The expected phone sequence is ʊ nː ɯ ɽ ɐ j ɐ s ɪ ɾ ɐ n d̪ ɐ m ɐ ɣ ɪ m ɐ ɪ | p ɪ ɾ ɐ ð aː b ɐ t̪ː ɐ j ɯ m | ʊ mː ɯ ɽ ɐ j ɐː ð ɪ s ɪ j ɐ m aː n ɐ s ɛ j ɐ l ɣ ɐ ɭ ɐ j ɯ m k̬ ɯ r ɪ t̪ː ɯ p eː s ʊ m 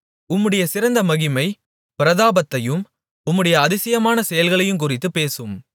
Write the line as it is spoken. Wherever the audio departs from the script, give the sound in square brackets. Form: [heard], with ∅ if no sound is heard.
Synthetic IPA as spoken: ʊ [mː] ɯ ɽ ɐ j ɐ s ɪ ɾ ɐ n d̪ ɐ m ɐ ɣ ɪ m ɐ ɪ | p ɪ ɾ ɐ ð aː b ɐ t̪ː ɐ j ɯ m | ʊ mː ɯ ɽ ɐ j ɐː ð ɪ s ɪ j ɐ m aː n ɐ s ɛ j ɐ l ɣ ɐ ɭ ɐ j ɯ m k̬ [ʊ] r ɪ t̪ː ɯ p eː s [ɯ] m

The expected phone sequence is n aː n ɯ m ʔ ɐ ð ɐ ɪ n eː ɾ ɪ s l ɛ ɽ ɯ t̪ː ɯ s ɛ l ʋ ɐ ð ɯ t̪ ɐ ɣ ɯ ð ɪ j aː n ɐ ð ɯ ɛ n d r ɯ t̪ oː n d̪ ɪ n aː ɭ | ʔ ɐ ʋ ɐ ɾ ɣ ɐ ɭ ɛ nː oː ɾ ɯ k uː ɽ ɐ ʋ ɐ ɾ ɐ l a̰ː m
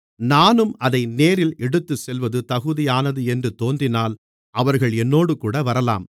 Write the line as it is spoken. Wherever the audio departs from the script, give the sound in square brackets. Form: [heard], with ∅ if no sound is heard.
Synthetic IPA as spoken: n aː n ɯ m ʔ ɐ ð ɐ ɪ n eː ɾ ɪ [∅] l ɛ ɽ ɯ t̪ː ɯ s ɛ l ʋ ɐ ð ɯ t̪ ɐ ɣ ɯ ð ɪ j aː n ɐ ð ɯ ɛ n d r ɯ t̪ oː n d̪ ɪ n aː [l] | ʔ ɐ ʋ ɐ ɾ ɣ ɐ ɭ ɛ nː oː [ɽ] ɯ k uː ɽ ɐ ʋ ɐ ɾ ɐ l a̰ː m

